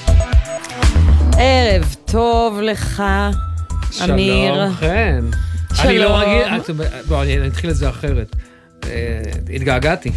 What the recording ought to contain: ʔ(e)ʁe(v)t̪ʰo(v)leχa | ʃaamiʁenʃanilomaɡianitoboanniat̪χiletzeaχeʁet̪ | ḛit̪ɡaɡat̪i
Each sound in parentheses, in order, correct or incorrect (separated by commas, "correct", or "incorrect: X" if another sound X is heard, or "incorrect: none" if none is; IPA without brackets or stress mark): correct, correct, correct